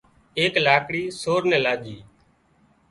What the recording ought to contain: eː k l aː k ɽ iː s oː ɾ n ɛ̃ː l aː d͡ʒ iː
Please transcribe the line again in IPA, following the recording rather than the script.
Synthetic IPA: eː k l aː k ɽ iː s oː ɾ n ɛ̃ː l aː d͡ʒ iː